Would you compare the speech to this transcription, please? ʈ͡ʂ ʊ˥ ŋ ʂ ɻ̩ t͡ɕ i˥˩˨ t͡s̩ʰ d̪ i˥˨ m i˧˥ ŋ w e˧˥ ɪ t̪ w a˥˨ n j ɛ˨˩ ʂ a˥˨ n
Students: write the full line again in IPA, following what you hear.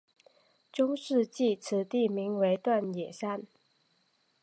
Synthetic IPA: ʈ͡ʂ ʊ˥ ŋ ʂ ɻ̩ t͡ɕ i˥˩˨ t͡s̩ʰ t̪ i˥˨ m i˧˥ ŋ w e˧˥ ɪ t̪ w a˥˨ n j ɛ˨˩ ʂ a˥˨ n